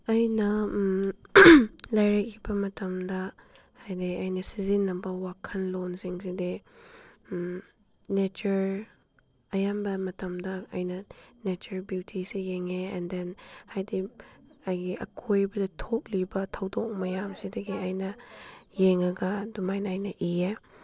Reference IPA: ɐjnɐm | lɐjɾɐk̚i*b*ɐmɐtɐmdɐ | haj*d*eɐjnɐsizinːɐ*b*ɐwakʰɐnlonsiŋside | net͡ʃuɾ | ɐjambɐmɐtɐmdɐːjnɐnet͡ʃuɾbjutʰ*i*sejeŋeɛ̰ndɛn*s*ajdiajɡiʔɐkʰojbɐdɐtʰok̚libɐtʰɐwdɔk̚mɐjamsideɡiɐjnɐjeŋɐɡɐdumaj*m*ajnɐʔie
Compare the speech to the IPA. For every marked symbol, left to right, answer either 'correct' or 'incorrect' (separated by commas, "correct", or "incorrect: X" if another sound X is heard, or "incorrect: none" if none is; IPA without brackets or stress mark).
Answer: correct, correct, correct, correct, incorrect: h, incorrect: n